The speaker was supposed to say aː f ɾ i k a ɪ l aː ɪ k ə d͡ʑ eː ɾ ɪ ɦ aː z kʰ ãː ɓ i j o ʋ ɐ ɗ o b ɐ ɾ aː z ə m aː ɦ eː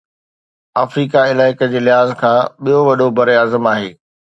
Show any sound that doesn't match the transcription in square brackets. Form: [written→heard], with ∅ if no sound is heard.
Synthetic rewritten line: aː f ɾ [i→iː] k a ɪ l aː ɪ k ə d͡ʑ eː [ɾ→l] ɪ ɦ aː z kʰ ãː ɓ i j o ʋ ɐ ɗ o b ɐ ɾ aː z ə m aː ɦ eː